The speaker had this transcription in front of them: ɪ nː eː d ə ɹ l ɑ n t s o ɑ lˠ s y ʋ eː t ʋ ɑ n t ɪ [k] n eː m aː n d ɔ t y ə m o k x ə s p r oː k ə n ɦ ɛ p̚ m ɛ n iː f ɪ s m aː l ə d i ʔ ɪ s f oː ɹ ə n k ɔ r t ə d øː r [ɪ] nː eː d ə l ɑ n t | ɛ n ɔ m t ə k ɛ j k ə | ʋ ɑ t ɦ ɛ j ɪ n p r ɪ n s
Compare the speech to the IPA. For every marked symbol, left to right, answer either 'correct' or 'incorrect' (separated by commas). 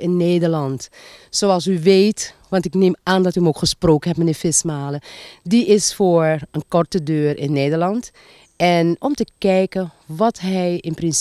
correct, correct